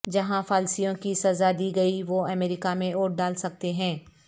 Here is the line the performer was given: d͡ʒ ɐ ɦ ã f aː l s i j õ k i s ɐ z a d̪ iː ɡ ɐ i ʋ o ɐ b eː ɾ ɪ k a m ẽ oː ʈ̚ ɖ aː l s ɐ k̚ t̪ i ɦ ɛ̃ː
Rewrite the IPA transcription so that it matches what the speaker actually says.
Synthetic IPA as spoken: d͡ʒ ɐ ɦ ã f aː l s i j õ k i s ɐ z a d̪ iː ɡ ɐ i ʋ o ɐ m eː ɾ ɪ k a m ẽ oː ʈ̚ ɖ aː l s ɐ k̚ t̪ e ɦ ɛ̃ː

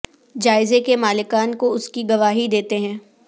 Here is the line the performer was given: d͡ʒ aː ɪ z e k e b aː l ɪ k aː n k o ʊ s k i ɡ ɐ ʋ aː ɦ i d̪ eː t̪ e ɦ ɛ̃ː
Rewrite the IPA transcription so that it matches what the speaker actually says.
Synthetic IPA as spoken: d͡ʒ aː ɪ z e k e m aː l ɪ k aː n k o ʊ s k i ɡ ɐ ʋ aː ɦ i d̪ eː t̪ e ɦ ɛ̃ː

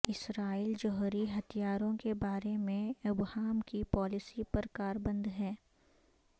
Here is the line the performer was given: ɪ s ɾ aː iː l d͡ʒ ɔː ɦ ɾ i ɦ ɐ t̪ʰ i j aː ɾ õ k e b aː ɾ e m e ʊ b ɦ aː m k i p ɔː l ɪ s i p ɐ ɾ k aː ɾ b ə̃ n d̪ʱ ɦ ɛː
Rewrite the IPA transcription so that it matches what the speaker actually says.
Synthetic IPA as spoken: ɪ s ɾ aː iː l d͡ʒ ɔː ɦ ɾ i ɦ ɐ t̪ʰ i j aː ɾ õ k e b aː ɾ e m ẽ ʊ b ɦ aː m k i p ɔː l ɪ s i p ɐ ɾ k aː ɾ b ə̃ n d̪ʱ ɦ ɛː

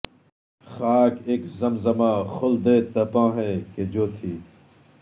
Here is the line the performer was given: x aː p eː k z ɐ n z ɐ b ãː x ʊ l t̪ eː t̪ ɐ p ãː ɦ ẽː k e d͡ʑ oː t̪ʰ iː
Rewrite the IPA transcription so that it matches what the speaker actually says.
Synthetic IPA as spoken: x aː k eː k z ɐ m z ɐ m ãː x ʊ l d̪ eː t̪ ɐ p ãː ɦ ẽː k e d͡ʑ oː t̪ʰ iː

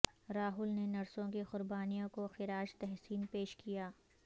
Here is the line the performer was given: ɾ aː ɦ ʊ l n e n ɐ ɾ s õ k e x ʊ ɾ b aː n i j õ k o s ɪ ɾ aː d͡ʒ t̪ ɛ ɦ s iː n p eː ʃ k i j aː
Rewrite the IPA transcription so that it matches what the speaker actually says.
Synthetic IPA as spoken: ɾ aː ɦ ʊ l n e n ɐ ɾ s õ k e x ʊ ɾ b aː n i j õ k o x ɪ ɾ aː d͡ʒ t̪ ɛ ɦ s iː n p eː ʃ k i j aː

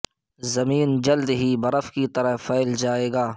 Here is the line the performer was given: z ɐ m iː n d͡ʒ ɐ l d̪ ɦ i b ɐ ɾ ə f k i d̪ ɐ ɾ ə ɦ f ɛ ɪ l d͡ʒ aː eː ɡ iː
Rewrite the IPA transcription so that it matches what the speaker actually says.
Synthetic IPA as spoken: z ɐ m iː n d͡ʒ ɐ l d̪ ɦ i b ɐ ɾ ə f k i t̪ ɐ ɾ ə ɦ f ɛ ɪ l d͡ʒ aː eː ɡ aː

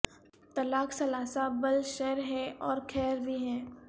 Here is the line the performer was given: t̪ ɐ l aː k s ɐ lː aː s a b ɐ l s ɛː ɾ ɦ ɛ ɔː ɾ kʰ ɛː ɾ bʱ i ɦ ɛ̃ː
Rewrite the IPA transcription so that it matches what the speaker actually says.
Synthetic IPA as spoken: t̪ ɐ l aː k s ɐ l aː s a b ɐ l ʃ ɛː ɾ ɦ ɛ ɔː ɾ kʰ ɛː ɾ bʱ i ɦ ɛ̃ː

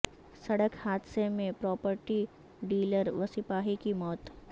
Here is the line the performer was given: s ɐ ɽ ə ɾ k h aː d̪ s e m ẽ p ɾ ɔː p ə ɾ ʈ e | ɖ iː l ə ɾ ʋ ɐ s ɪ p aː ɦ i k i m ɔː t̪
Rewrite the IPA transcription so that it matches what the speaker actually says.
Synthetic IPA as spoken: s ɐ ɽ ə k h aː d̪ s e m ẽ p ɾ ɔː p ə ɾ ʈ i | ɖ iː l ə ɾ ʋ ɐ s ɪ p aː ɦ i k i m ɔː t̪

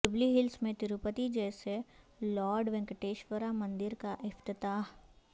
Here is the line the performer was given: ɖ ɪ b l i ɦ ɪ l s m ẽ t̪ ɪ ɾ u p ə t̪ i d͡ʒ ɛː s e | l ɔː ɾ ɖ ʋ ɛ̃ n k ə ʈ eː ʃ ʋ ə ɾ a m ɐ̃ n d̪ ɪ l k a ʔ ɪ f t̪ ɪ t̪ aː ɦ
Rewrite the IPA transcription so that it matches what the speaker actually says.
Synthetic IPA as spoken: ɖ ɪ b l i ɦ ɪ l s m ẽ t̪ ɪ ɾ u p ə t̪ i d͡ʒ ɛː s e | l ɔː ɾ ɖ ʋ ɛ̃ ŋ k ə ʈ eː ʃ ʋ ə ɾ a m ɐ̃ n d̪ ɪ ɾ k a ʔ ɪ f t̪ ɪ t̪ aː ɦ

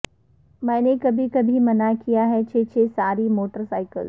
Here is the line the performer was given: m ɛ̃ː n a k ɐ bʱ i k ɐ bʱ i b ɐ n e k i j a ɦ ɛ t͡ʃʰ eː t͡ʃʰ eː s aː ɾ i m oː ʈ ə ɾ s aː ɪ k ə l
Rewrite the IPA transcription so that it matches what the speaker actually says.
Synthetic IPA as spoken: m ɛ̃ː n e k ɐ bʱ i k ɐ bʱ i m ɐ n a k i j a ɦ ɛ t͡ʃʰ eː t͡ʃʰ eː s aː ɾ i m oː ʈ ə ɾ s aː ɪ k ə l

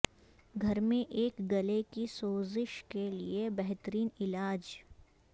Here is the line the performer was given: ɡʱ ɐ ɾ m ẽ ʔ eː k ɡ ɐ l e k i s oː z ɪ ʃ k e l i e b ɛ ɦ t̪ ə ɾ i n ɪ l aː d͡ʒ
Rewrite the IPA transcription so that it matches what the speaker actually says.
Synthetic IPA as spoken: ɡʱ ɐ ɾ m ẽ ʔ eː k ɡ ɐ l e k i s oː z ɪ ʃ k e l i e b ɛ ɦ t̪ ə ɾ iː n ɪ l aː d͡ʒ

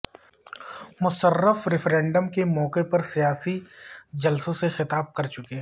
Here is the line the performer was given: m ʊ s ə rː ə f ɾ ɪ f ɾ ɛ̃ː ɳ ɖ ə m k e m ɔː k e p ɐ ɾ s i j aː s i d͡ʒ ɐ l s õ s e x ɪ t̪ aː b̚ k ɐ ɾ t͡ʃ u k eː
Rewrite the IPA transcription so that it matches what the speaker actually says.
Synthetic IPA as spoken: m ʊ s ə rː ə f ɾ ɪ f ɾ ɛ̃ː ɳ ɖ ə m k e m ɔː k e p ɐ ɾ s i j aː s i d͡ʒ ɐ l s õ s e x ɪ t̪ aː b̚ k ɐ ɾ t͡ʃ ʊ k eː

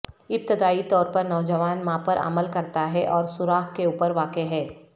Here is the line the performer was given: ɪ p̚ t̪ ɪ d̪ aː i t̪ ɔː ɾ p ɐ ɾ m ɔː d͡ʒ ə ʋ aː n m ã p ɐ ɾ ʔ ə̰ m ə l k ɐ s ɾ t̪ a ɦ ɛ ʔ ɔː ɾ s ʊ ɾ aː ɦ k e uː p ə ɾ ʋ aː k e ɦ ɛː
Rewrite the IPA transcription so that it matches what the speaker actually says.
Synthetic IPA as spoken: ɪ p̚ t̪ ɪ d̪ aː i t̪ ɔː ɾ p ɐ ɾ n ɔː d͡ʒ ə ʋ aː n m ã p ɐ ɾ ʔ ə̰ m ə l k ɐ ɾ t̪ a ɦ ɛ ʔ ɔː ɾ s ʊ ɾ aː ɦ k e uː p ə ɾ ʋ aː k e ɦ ɛː

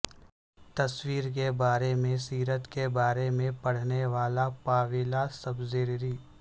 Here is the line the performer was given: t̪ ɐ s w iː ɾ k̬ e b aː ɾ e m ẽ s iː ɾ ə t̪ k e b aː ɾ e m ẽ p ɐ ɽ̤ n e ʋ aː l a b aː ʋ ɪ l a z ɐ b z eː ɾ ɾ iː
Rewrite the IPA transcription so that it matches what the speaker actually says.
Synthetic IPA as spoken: t̪ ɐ s w iː ɾ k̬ e b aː ɾ e m ẽ s iː ɾ ə t̪ k e b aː ɾ e m ẽ p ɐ ɽ̤ n e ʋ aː l a p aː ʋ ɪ l a s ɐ b z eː ɾ ɾ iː

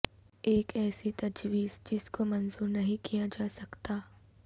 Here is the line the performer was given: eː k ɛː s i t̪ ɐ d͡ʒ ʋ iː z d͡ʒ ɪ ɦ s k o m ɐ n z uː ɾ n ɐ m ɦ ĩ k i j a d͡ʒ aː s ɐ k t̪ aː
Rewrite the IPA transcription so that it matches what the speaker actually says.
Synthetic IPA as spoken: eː k ɛː s i t̪ ɐ d͡ʒ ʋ iː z d͡ʒ ɪ s k o m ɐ n z uː ɾ n ɐ ɦ ĩ k i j a d͡ʒ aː s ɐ k t̪ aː

